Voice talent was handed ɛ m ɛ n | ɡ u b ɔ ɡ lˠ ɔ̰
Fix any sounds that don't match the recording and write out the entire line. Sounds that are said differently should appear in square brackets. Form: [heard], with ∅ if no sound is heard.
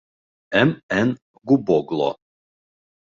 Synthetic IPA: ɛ m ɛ n | ɡ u b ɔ ɡ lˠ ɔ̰